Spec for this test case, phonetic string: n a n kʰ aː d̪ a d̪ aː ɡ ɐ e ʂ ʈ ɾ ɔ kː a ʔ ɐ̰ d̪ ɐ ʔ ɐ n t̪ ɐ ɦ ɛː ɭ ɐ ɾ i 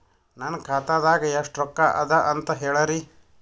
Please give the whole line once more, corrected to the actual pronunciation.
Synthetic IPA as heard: n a n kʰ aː t̪ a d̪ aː ɡ ɐ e ʂ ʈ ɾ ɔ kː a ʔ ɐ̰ d̪ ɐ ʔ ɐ n t̪ ɐ ɦ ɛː ɭ ɐ ɾ i